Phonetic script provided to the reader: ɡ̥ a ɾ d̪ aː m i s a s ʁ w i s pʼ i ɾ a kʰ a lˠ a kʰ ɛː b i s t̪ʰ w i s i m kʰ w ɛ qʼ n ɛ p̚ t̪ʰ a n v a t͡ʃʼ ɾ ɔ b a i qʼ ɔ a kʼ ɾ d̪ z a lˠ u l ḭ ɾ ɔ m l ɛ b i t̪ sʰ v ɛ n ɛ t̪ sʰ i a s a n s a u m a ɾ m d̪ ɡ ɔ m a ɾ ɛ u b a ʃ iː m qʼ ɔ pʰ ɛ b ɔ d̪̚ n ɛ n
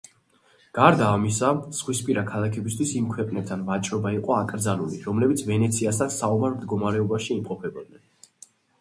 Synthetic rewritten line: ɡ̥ a ɾ d̪ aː m i s a s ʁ w i s pʼ i ɾ a kʰ a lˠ a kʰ ɛ b i s t̪ʰ w i s i m kʰ w ɛ qʼ n ɛ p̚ t̪ʰ a n v a t͡ʃʼ ɾ ɔ b a i qʼ ɔ a kʼ ɾ d̪ z a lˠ u l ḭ ɾ ɔ m l ɛ b i t̪ sʰ v ɛ n ɛ t̪ sʰ i a s a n s a u m a ɾ m d̪ ɡ ɔ m a ɾ ɛ ɔ b a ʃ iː m qʼ ɔ pʰ ɛ b ɔ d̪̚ n ɛ n